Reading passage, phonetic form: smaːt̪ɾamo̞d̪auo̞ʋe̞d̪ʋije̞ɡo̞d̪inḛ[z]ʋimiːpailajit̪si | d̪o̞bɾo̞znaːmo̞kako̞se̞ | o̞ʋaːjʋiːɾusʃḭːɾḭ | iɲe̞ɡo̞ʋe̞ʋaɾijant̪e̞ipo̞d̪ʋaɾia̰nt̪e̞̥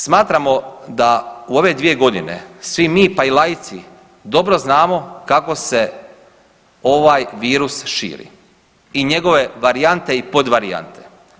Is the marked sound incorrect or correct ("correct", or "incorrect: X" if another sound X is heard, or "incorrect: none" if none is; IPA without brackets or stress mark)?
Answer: incorrect: s